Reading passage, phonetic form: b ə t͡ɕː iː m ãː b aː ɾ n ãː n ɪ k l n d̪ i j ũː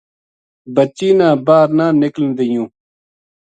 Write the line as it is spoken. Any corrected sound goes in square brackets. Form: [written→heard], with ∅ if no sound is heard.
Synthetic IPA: b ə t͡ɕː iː [m→n] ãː b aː ɾ n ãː n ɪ k l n d̪ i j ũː